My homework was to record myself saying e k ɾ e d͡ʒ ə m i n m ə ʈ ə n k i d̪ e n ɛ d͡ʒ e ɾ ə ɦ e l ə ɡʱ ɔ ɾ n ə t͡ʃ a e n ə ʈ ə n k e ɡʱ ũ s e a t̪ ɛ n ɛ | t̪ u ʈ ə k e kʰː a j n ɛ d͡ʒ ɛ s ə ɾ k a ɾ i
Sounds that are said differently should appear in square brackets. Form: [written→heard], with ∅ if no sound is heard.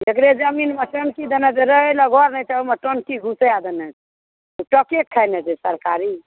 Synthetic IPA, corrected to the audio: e k ɾ e d͡ʒ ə m i n m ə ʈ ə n k i d̪ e n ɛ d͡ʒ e ɾ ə ɦ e l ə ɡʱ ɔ ɾ n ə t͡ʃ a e [n→m] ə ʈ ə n k [e→i] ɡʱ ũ s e a [t̪→d̪] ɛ n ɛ | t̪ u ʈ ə k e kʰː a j n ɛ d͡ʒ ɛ s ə ɾ k a ɾ i